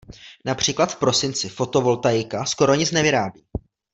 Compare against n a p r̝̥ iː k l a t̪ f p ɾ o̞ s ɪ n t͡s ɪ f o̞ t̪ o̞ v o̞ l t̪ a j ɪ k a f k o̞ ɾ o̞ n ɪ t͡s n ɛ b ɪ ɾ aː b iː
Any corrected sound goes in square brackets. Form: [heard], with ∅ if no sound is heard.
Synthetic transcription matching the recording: n a p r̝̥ iː k l a t̪ f p ɾ o̞ s ɪ n t͡s ɪ f o̞ t̪ o̞ v o̞ l t̪ a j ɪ k a [s] k o̞ ɾ o̞ [ɲ] ɪ t͡s n ɛ [v] ɪ ɾ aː b iː